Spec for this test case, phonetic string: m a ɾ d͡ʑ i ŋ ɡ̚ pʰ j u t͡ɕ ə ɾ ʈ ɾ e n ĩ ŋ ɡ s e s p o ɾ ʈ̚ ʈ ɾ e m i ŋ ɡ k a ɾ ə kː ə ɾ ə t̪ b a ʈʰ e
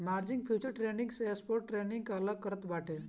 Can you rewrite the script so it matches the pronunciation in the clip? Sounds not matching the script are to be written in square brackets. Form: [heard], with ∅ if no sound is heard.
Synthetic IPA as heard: m a ɾ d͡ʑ i ŋ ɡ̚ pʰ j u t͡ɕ ə ɾ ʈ ɾ e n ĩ ŋ ɡ s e s p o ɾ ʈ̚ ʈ ɾ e [n] i ŋ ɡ k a [l] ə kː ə ɾ ə t̪ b a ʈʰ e